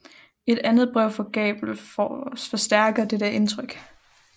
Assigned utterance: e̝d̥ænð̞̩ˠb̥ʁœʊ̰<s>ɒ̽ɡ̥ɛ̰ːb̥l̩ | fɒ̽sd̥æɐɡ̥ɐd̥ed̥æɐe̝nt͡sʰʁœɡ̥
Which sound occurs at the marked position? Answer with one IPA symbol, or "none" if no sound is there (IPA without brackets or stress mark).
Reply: f